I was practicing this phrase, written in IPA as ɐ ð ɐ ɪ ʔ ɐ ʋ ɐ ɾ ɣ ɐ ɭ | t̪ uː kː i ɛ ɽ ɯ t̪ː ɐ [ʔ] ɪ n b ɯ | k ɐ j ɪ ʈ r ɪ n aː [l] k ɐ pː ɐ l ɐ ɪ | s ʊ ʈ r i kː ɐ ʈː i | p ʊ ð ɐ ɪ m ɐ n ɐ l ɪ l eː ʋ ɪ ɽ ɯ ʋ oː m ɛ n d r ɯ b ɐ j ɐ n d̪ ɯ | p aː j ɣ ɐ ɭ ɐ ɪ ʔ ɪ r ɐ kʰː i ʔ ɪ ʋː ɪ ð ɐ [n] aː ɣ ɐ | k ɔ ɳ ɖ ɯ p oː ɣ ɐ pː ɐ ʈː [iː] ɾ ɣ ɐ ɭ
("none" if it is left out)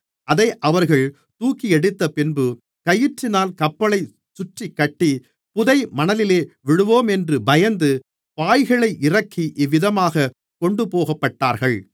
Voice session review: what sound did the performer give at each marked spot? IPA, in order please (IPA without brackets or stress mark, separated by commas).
p, l, m, aː